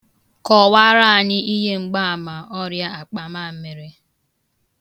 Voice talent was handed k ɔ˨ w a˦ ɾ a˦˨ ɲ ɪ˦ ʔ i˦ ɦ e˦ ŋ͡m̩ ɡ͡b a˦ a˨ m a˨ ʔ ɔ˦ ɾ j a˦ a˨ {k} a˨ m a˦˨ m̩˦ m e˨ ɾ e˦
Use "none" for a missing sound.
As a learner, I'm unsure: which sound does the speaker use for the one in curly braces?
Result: k͡p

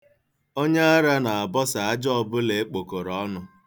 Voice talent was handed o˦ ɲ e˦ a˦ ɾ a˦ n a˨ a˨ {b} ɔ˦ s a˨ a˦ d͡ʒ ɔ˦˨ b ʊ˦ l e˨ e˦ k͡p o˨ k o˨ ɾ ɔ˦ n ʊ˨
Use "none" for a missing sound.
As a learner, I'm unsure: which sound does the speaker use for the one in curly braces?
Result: b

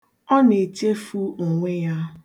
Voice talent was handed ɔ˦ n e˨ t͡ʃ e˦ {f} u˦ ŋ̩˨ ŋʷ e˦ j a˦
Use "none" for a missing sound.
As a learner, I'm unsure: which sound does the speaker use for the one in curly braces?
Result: f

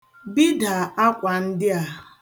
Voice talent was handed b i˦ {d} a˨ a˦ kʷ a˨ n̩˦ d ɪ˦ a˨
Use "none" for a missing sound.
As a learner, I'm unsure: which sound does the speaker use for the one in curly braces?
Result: d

